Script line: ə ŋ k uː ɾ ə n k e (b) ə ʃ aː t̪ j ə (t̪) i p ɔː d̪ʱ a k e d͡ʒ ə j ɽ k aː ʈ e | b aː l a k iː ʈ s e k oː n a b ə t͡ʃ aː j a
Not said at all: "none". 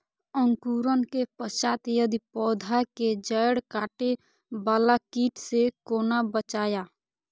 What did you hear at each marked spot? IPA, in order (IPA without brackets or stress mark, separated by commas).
p, d̪